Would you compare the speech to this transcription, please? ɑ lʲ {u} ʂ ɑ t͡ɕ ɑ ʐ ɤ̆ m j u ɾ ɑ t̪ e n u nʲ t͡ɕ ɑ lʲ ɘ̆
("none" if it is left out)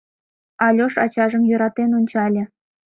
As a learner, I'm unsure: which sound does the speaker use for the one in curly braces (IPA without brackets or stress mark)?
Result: o